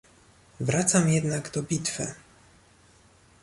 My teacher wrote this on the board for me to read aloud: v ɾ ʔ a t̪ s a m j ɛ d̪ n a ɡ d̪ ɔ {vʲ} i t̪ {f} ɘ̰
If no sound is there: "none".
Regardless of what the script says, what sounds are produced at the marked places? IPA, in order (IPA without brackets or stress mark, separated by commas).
bʲ, f